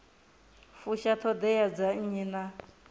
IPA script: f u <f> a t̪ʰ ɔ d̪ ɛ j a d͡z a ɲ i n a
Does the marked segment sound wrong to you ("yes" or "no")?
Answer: yes